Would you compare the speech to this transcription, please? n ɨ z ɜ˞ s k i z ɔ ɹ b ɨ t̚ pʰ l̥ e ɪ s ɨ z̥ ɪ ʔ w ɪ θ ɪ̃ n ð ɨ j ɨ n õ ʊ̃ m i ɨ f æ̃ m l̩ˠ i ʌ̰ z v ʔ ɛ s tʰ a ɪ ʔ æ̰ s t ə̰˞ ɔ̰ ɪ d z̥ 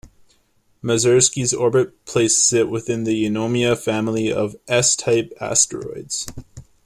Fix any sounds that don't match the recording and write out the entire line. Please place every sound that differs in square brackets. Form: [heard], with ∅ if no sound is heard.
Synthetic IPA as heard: [m] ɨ z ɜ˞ s k i z ɔ ɹ b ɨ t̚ pʰ l̥ e ɪ s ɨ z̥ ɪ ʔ w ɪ θ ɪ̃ n ð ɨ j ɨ n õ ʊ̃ m i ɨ f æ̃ m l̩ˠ i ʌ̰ [∅] v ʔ ɛ s tʰ a ɪ [p] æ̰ s t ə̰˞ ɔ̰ ɪ d z̥